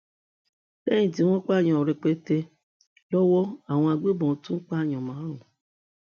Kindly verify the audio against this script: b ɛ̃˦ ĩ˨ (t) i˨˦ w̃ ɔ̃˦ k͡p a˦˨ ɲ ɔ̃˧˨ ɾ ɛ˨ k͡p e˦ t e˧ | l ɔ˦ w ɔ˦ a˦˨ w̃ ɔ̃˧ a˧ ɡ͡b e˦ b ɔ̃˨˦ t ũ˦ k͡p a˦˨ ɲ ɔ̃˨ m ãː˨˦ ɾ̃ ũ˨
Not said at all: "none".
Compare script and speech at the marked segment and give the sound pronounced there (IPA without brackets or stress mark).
t